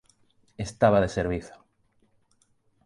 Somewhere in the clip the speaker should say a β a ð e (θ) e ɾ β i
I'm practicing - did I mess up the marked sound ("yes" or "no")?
yes